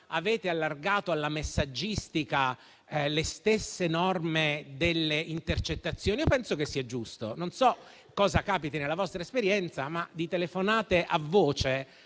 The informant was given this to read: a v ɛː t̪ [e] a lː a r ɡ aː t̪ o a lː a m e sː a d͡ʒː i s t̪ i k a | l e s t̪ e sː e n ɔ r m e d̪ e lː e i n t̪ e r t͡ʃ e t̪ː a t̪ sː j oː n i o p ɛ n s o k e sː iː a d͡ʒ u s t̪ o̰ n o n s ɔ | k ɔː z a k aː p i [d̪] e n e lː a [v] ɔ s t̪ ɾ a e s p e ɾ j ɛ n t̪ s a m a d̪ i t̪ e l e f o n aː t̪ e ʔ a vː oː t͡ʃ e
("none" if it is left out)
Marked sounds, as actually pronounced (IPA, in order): e, t̪, v

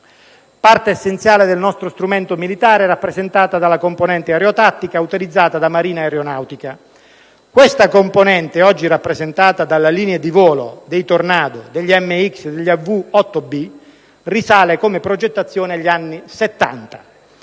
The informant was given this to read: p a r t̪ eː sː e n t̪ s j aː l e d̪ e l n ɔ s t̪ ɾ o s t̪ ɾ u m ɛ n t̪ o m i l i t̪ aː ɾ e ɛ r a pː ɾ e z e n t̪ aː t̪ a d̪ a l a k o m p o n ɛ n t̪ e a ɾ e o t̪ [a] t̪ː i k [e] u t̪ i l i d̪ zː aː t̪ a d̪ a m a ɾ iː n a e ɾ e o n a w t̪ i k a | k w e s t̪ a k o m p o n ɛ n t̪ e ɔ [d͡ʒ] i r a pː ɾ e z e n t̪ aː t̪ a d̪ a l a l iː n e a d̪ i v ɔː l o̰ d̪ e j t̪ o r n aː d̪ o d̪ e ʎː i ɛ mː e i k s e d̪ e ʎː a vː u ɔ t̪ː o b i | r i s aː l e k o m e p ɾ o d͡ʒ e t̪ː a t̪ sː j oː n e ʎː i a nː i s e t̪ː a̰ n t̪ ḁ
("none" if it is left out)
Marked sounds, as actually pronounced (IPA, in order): a, a, d͡ʒː

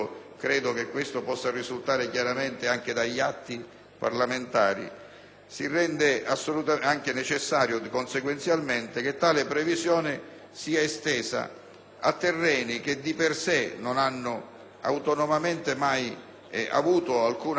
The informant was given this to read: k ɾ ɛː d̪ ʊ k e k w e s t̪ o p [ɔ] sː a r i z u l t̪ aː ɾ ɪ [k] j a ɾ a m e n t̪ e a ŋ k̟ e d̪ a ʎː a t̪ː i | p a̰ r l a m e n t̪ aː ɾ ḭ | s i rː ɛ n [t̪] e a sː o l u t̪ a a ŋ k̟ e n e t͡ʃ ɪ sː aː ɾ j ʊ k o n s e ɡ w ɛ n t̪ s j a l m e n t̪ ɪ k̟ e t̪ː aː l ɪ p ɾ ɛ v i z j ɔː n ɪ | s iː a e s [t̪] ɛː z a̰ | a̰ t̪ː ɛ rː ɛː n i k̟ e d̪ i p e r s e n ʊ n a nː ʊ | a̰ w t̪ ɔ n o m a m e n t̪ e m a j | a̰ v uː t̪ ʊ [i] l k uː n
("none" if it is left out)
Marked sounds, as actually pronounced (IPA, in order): ɔ, k, d̪, t̪, a

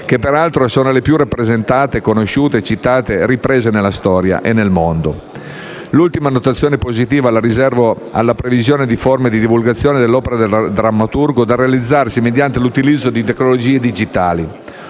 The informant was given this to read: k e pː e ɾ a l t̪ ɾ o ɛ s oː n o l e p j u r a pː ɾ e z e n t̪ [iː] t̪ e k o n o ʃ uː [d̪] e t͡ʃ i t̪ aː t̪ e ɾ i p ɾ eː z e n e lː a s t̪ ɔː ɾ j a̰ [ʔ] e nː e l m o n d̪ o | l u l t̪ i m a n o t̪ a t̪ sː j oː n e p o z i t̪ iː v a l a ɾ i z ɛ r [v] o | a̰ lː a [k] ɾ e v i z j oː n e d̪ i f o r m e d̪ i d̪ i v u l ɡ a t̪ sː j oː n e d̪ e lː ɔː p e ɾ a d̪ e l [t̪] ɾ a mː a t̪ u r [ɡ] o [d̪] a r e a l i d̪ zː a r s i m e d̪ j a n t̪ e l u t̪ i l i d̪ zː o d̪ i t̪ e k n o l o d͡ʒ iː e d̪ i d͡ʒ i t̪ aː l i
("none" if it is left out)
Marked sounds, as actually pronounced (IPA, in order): aː, t̪, ʔ, v, p, d̪, ɡ, d̪

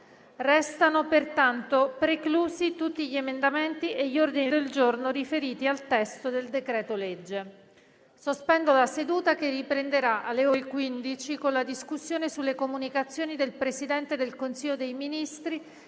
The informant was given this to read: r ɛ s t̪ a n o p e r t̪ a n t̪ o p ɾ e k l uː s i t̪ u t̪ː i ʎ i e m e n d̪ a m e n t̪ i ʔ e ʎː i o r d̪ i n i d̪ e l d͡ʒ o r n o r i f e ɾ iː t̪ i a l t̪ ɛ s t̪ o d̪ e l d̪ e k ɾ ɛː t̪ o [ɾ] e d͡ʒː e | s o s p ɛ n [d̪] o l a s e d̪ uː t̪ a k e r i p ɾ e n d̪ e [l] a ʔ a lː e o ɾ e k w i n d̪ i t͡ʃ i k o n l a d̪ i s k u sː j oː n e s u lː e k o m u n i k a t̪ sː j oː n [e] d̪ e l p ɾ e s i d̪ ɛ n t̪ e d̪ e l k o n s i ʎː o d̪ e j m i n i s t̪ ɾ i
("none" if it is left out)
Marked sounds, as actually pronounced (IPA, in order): l, d̪, ɾ, i

